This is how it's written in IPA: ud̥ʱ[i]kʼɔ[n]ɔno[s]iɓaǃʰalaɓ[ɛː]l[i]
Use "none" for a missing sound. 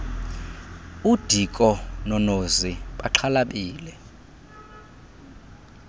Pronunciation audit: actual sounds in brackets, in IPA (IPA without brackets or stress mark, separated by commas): i, n, z, iː, ɛ